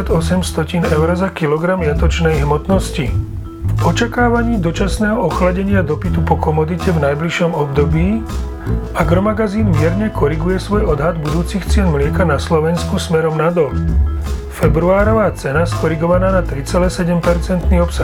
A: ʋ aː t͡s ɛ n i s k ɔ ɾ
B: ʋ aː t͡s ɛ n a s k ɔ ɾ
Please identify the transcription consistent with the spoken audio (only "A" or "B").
B